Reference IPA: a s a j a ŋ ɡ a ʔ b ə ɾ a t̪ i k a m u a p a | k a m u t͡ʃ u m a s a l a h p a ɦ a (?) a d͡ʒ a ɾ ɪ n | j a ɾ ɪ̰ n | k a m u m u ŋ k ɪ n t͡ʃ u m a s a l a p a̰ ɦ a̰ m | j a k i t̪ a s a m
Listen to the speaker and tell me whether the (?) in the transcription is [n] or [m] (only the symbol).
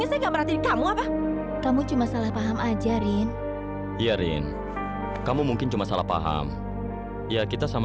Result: m